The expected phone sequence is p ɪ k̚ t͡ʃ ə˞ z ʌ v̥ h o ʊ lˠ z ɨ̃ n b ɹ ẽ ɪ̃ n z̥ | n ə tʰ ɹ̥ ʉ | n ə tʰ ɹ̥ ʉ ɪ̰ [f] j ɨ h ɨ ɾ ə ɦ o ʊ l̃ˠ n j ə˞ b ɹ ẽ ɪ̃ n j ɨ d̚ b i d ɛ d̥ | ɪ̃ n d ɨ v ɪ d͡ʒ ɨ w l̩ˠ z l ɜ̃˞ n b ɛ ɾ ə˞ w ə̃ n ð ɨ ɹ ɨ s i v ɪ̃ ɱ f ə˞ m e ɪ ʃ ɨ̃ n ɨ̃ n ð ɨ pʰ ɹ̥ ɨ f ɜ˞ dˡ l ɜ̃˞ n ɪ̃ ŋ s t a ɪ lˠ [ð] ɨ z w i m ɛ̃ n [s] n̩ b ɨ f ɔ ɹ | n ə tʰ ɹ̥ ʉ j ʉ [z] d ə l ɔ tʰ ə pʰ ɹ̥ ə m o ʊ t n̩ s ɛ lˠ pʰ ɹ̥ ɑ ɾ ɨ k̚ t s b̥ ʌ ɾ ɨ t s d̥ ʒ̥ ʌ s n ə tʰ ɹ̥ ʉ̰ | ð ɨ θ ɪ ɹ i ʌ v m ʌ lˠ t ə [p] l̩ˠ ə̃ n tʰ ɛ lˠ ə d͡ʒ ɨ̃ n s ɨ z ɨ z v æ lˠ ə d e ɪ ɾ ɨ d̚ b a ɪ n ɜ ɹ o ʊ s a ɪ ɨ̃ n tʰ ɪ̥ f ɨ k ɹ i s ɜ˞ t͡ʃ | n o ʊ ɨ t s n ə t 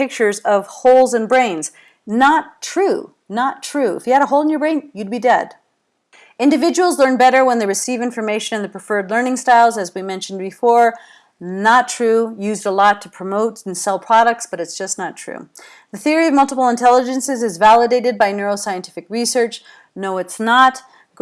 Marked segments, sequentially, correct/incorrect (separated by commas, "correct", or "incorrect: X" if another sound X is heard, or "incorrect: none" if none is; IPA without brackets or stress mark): correct, incorrect: z, incorrect: ʃ, correct, correct